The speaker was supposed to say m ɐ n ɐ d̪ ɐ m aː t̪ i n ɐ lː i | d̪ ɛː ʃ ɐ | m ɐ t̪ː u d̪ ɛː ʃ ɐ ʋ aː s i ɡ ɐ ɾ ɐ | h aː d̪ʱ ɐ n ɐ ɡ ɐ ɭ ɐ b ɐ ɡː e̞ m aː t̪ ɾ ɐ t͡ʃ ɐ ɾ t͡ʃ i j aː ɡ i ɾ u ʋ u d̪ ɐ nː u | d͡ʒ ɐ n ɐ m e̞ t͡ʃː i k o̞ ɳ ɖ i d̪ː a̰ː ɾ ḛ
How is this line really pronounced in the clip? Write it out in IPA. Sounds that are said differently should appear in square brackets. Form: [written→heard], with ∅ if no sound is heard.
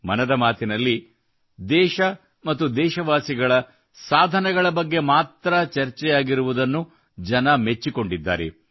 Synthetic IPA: m ɐ n ɐ d̪ ɐ m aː t̪ i n ɐ lː i | d̪ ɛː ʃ ɐ | m ɐ t̪ː u d̪ ɛː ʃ ɐ ʋ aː s i ɡ ɐ [ɾ→ɭ] ɐ | [h→s] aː d̪ʱ ɐ n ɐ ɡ ɐ ɭ ɐ b ɐ ɡː e̞ m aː t̪ ɾ ɐ t͡ʃ ɐ ɾ t͡ʃ [i→ɛ] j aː ɡ i ɾ u ʋ u d̪ ɐ nː u | d͡ʒ ɐ n ɐ m e̞ t͡ʃː i k o̞ ɳ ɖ i d̪ː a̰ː ɾ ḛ